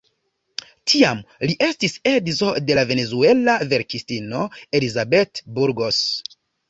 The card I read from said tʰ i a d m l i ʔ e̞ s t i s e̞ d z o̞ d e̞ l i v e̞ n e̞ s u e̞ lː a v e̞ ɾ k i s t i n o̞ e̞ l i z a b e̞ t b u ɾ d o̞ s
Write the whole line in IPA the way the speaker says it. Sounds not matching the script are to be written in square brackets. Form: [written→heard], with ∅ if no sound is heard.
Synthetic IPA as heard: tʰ i a [d→∅] m l i ʔ e̞ s t i s e̞ d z o̞ d e̞ l [i→a] v e̞ n e̞ [s→z] u e̞ [lː→l] a v e̞ ɾ k i s t i n o̞ e̞ l i z a b e̞ t b u ɾ [d→ɡ] o̞ s